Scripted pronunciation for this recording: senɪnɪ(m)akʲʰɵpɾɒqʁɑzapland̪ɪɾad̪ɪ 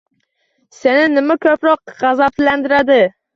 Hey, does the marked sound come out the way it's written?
yes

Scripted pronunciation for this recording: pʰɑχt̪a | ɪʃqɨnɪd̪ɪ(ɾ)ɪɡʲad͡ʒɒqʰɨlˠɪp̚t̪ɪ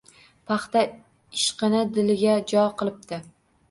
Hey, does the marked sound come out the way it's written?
no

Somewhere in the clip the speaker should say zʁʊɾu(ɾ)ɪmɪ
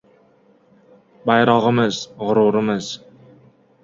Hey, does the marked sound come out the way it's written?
yes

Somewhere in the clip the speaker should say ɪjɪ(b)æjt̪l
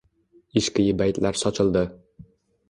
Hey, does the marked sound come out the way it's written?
yes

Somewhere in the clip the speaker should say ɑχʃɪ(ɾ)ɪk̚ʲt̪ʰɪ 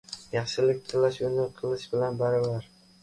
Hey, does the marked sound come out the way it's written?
no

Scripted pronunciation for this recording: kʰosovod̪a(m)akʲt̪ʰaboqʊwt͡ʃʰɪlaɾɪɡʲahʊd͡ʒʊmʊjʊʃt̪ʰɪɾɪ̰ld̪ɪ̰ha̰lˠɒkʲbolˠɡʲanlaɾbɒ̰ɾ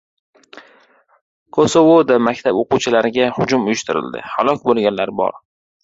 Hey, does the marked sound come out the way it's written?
yes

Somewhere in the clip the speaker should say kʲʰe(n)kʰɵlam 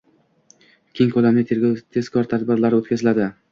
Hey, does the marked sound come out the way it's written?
no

